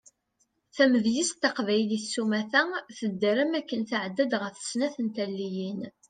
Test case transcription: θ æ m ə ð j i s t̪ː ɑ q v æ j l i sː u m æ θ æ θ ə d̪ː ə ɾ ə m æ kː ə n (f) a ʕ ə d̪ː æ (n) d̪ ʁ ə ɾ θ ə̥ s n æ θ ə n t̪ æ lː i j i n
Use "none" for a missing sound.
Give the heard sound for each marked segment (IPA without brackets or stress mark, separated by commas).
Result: θ, none